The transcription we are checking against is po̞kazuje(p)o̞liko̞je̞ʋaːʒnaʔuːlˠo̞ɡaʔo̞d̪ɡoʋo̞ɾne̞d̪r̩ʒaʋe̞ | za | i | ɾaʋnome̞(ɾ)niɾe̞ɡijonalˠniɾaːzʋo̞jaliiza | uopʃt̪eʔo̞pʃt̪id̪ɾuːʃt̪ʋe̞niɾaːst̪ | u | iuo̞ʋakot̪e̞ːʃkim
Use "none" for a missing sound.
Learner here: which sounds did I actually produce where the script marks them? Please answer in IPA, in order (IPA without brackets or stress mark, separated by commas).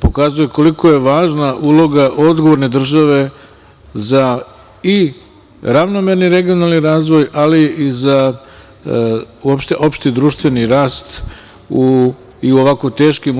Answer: k, ɾ